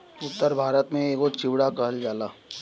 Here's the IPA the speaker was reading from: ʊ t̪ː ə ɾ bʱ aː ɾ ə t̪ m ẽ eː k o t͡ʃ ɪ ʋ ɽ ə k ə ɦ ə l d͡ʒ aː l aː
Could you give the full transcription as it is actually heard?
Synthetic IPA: ʊ t̪ː ə ɾ bʱ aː ɾ ə t̪ m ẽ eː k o t͡ʃ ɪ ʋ ɽ a k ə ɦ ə l d͡ʒ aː l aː

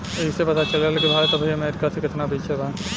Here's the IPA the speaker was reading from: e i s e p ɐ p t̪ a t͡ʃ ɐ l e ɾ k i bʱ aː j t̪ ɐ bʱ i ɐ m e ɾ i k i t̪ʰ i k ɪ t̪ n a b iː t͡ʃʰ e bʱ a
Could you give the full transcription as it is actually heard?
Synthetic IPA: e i s e p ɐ t̪ a t͡ʃ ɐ l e l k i bʱ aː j t̪ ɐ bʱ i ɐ m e ɾ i k a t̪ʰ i k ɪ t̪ n a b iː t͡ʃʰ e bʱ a

